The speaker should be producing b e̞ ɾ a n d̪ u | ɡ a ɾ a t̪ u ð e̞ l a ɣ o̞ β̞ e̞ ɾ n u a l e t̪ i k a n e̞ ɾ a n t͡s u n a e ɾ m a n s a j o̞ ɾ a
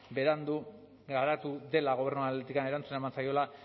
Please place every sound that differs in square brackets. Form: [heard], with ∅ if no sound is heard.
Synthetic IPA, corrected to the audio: b e̞ ɾ a n d̪ u | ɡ a ɾ a t̪ u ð e̞ l a ɣ o̞ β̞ e̞ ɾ n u a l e t̪ i k a n e̞ ɾ a n t͡s u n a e [∅] m a n s a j o̞ [l] a

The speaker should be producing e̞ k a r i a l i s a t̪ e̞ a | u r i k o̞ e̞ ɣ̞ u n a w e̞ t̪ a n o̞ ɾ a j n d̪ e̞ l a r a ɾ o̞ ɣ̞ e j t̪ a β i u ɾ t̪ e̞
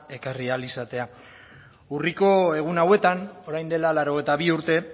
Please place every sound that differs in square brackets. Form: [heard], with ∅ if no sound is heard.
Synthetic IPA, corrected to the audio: e̞ k a r i a l i s a t̪ e̞ a | u r i k o̞ e̞ ɣ̞ u n a w e̞ t̪ a n o̞ ɾ a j n d̪ e̞ l a [l] a ɾ o̞ ɣ̞ e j t̪ a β i u ɾ t̪ e̞

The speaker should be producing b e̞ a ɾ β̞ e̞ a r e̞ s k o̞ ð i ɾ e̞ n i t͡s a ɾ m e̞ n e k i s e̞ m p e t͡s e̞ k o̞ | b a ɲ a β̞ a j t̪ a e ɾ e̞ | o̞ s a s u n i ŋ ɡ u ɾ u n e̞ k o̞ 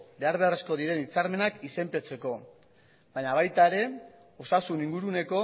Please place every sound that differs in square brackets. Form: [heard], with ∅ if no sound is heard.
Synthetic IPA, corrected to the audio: b e̞ a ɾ β̞ e̞ a r e̞ s k o̞ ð i ɾ e̞ n i t͡s a ɾ m e̞ n [a] k i s e̞ m p e t͡s e̞ k o̞ | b a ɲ a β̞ a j t̪ a e ɾ e̞ | o̞ s a s u n i ŋ ɡ u ɾ u n e̞ k o̞

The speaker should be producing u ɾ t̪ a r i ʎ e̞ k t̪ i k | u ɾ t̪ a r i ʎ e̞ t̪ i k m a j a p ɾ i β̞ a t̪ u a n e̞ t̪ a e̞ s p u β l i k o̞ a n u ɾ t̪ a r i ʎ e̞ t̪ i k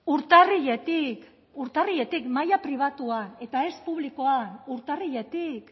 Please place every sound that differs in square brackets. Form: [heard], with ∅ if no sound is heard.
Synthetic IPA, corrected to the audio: u ɾ t̪ a r i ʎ e̞ [∅] t̪ i k | u ɾ t̪ a r i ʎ e̞ t̪ i k m a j a p ɾ i β̞ a t̪ u a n e̞ t̪ a e̞ s p u β l i k o̞ a n u ɾ t̪ a r i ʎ e̞ t̪ i k

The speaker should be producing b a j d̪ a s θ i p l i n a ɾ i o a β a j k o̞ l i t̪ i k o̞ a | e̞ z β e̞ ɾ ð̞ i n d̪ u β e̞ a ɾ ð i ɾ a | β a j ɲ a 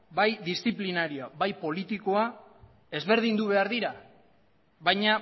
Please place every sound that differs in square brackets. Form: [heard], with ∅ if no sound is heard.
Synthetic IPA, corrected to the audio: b a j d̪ [i] s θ i p l i n a ɾ i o a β a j [p] o̞ l i t̪ i k o̞ a | e̞ z β e̞ ɾ ð̞ i n d̪ u β e̞ a ɾ ð i ɾ a | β a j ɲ a

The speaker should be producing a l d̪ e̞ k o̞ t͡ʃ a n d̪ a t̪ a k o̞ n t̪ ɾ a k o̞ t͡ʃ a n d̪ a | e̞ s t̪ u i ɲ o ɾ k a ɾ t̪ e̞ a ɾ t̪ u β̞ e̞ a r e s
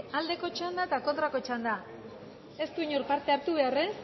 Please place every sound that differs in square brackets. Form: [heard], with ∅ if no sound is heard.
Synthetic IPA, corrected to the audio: a l d̪ e̞ k o̞ t͡ʃ a n d̪ a t̪ a k o̞ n t̪ ɾ a k o̞ t͡ʃ a n d̪ a | e̞ s t̪ u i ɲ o ɾ [p] a ɾ t̪ e̞ a ɾ t̪ u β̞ e̞ a r e s

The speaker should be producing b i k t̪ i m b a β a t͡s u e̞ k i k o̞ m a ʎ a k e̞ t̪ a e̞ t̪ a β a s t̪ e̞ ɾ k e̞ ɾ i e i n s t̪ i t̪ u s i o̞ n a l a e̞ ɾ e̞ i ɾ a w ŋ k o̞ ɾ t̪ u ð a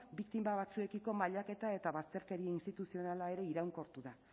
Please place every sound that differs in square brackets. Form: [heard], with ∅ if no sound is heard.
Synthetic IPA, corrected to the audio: b i k t̪ i m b a β a t͡s u e̞ k i k o̞ m a ʎ a k e̞ t̪ a e̞ t̪ a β a s t̪ e̞ ɾ k e̞ ɾ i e i n s t̪ i t̪ u s i o̞ n a l a e̞ ɾ e̞ i ɾ a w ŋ k o̞ ɾ t̪ u ð a

